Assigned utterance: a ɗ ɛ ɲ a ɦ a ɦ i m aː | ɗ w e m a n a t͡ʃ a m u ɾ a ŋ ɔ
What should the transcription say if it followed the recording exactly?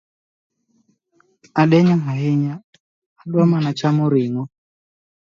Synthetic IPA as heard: a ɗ ɛ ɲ a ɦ a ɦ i ɲ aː | ɗ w a m a n a t͡ʃ a m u ɾ i ŋ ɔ